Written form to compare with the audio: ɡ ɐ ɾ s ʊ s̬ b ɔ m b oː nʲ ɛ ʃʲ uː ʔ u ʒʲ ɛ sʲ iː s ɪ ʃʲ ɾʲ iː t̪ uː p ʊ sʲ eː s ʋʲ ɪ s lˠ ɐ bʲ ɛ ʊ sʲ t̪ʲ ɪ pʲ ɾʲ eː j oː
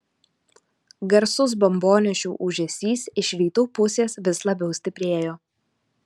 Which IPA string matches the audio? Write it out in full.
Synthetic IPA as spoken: ɡ ɐ ɾ s ʊ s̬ b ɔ m b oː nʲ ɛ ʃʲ uː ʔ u ʒʲ ɛ sʲ iː s ɪ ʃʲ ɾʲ iː t̪ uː p ʊ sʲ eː s ʋʲ ɪ s lˠ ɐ bʲ ɛ ʊ sʲ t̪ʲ ɪ pʲ ɾʲ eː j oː